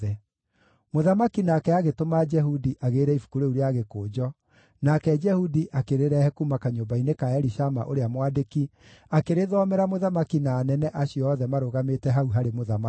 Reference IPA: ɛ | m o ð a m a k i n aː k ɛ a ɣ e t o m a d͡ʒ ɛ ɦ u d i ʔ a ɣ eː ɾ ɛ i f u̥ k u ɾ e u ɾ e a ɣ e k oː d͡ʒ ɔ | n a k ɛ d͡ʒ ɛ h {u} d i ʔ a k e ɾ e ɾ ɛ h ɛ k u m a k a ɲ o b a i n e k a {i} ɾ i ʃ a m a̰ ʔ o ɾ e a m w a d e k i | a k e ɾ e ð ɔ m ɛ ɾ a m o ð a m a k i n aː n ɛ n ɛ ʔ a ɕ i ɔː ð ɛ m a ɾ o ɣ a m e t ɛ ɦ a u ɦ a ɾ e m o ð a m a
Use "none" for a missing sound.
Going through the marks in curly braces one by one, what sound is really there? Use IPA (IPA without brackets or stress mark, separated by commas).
u, ɛ